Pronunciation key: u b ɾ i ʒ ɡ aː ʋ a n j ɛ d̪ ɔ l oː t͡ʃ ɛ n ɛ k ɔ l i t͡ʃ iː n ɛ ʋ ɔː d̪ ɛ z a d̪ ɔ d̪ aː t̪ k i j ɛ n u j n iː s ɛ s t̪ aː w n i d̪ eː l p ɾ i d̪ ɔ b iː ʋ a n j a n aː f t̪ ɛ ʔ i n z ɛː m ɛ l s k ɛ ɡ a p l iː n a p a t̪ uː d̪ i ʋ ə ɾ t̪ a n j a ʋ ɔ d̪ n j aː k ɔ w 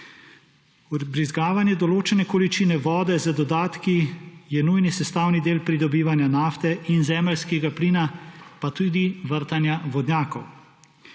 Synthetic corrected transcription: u b ɾ i z ɡ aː ʋ a n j ɛ d̪ ɔ l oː t͡ʃ ɛ n ɛ k ɔ l i t͡ʃ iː n ɛ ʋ ɔː d̪ ɛ z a d̪ ɔ d̪ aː t̪ k i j ɛ n u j n i s ɛ s t̪ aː w n i d̪ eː l p ɾ i d̪ ɔ b iː ʋ a n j a n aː f t̪ ɛ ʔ i n z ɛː m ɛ l s k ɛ ɡ a p l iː n a p a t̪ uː d̪ i ʋ ə ɾ t̪ a n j a ʋ ɔ d̪ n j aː k ɔ w

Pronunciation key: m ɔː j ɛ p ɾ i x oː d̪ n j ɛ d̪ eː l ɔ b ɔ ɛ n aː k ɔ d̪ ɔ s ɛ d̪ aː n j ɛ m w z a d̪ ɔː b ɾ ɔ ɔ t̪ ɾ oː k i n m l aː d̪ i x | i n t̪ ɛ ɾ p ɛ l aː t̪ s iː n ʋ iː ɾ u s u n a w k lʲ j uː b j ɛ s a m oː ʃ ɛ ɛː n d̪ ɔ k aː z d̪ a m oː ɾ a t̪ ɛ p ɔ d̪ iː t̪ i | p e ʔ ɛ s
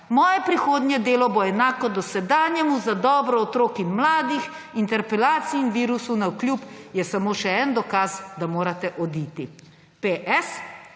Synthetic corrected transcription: m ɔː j ɛ p ɾ i x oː d̪ n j ɛ d̪ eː l ɔ b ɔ ɛ n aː k ɔ d̪ ɔ s ɛ d̪ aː n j ɛ m u z a d̪ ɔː b ɾ ɔ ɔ t̪ ɾ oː k i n m l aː d̪ i x | i n t̪ ɛ ɾ p ɛ l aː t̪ s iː n ʋ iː ɾ u s u n a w k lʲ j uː p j ɛ s a m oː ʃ ɛ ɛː n d̪ ɔ k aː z d̪ a m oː ɾ a t̪ ɛ ʔ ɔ d̪ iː t̪ i | p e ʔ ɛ s

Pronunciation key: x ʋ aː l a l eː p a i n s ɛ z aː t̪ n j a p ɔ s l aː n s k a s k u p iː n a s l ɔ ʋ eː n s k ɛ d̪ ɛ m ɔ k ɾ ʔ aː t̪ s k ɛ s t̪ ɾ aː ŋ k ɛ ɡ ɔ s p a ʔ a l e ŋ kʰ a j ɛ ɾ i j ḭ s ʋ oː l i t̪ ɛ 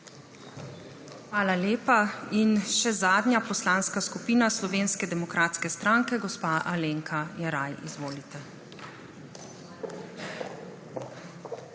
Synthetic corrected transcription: x ʋ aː l a l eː p a i n ʃ ɛ z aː d̪ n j a p ɔ s l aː n s k a s k u p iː n a s l ɔ ʋ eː n s k ɛ d̪ ɛ m ɔ k ɾ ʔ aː t̪ s k ɛ s t̪ ɾ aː ŋ k ɛ ɡ ɔ s p a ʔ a l e ŋ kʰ a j ɛ ɾ a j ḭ z ʋ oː l i t̪ ɛ

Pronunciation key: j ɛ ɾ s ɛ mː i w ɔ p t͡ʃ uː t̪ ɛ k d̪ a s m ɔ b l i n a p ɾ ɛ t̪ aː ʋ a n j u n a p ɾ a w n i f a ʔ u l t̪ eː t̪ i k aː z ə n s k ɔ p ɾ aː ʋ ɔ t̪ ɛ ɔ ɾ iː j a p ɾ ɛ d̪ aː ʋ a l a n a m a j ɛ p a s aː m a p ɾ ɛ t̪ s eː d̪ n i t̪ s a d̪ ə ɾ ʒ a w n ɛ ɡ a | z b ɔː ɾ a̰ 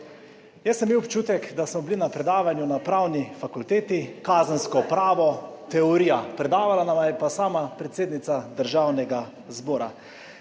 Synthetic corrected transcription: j ɛ s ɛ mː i w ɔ p t͡ʃ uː t̪ ɛ k d̪ a s m ɔ b l i n a p ɾ ɛ d̪ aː ʋ a n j u n a p ɾ a w n i f a k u l t̪ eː t̪ i k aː z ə n s k ɔ p ɾ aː ʋ ɔ t̪ ɛ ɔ ɾ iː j a p ɾ ɛ d̪ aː ʋ a l a n a m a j ɛ p a s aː m a p ɾ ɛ t̪ s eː d̪ n i t̪ s a d̪ ə ɾ ʒ a w n ɛ ɡ a | z b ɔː ɾ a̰

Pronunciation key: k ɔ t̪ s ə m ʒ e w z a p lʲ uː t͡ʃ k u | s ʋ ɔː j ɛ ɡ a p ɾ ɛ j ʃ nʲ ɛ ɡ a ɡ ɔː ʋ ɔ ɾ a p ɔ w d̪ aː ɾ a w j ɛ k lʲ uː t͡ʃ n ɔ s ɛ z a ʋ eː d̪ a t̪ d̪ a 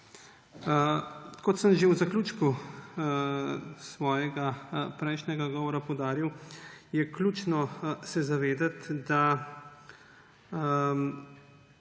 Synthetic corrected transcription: k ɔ t̪ s ə m ʒ e w z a k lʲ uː t͡ʃ k u | s ʋ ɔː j ɛ ɡ a p ɾ ɛ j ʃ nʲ ɛ ɡ a ɡ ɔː ʋ ɔ ɾ a p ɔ w d̪ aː ɾ i w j ɛ k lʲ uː t͡ʃ n ɔ s ɛ z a ʋ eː d̪ a t̪ d̪ a

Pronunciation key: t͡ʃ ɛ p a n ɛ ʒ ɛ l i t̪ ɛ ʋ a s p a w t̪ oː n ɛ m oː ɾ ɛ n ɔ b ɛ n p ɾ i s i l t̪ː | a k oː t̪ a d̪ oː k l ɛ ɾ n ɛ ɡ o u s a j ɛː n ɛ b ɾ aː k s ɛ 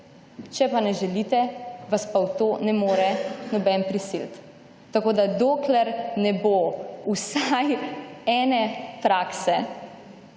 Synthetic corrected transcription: t͡ʃ ɛ p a n ɛ ʒ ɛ l i t̪ ɛ ʋ a s p a w t̪ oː n ɛ m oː ɾ ɛ n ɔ b ɛ n p ɾ i s i l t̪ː | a k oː d̪ a d̪ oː k l ɛ ɾ n ɛ b o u s a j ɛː n ɛ p ɾ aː k s ɛ

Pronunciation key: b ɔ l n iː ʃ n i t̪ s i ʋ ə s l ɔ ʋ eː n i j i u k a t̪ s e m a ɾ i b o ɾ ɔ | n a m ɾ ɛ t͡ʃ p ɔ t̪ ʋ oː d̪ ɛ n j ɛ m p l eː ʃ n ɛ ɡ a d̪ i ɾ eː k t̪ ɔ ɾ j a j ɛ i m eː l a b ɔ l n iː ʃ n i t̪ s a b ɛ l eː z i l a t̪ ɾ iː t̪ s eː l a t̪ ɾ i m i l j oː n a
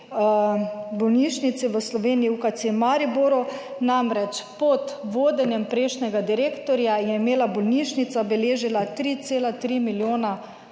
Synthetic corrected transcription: b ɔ l n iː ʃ n i t̪ s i ʋ ə s l ɔ ʋ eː n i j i u k a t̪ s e m a ɾ i b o ɾ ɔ | n a m ɾ ɛ t͡ʃ p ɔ t̪ ʋ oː d̪ ɛ n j ɛ m p ɾ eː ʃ n ɛ ɡ a d̪ i ɾ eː k t̪ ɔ ɾ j a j ɛ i m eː l a b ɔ l n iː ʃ n i t̪ s a b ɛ l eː ʒ i l a t̪ ɾ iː t̪ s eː l a t̪ ɾ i m i l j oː n a

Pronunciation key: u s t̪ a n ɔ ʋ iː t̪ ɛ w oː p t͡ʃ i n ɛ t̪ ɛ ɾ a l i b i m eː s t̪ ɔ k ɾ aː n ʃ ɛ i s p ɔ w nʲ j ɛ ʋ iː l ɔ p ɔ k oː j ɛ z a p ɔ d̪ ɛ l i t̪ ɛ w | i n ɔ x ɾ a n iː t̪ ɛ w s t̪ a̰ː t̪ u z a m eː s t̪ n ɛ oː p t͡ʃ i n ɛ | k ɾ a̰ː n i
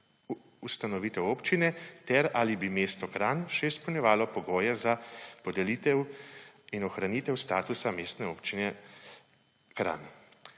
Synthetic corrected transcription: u s t̪ a n ɔ ʋ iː t̪ ɛ w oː p t͡ʃ i n ɛ t̪ ɛ ɾ a l i b i m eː s t̪ ɔ k ɾ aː n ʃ ɛ i s p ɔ w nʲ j ɛ ʋ aː l ɔ p ɔ ɡ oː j ɛ z a p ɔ d̪ ɛ l i t̪ ɛ w | i n ɔ x ɾ a n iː t̪ ɛ w s t̪ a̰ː t̪ u s a m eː s t̪ n ɛ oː p t͡ʃ i n ɛ | k ɾ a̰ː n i

